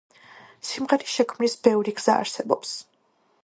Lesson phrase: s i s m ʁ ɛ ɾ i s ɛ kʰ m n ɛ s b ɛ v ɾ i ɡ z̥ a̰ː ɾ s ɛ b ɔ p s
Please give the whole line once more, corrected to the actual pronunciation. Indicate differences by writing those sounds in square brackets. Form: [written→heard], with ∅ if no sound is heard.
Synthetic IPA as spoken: s i [s→∅] m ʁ ɛ ɾ i [s→ʃ] ɛ kʰ m n [ɛ→i] s b ɛ v ɾ i ɡ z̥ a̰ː ɾ s ɛ b ɔ p s